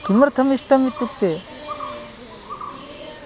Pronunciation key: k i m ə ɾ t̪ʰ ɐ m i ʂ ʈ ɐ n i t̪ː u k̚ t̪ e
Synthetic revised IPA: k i m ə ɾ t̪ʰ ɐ m i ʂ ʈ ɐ m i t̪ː u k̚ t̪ e